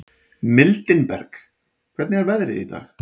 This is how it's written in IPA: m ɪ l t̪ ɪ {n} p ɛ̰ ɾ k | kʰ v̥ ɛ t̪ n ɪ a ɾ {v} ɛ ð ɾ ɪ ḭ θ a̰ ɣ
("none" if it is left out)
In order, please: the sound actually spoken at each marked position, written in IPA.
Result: n, v

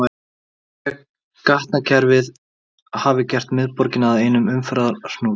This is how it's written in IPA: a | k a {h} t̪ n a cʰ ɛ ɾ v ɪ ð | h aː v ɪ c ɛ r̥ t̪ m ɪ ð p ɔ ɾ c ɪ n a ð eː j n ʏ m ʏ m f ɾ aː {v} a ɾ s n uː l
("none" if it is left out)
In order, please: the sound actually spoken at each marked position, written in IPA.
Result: h, ð

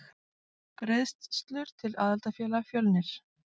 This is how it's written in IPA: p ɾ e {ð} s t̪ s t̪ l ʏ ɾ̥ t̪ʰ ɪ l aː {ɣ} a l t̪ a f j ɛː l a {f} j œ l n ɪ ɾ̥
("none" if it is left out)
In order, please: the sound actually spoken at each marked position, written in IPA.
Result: ð, ð, f

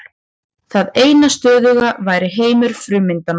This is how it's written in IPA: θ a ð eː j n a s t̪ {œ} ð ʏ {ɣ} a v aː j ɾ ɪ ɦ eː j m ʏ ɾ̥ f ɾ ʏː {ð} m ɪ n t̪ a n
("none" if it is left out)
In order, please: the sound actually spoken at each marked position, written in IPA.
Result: œː, ɣ, none

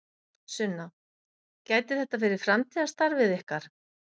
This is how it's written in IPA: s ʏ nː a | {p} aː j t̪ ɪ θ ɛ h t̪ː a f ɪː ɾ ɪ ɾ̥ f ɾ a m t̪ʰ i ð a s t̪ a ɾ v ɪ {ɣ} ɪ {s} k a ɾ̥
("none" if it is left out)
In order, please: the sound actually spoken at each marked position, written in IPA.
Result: c, ð, h

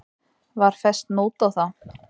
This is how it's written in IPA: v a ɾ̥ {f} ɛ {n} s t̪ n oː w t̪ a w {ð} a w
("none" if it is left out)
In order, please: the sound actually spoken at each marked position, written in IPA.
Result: f, none, θ

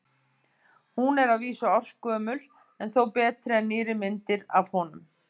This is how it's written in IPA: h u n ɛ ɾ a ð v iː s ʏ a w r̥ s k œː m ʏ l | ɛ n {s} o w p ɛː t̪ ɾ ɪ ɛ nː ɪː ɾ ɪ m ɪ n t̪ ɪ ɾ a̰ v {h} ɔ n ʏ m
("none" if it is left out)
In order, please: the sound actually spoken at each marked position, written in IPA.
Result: θ, h

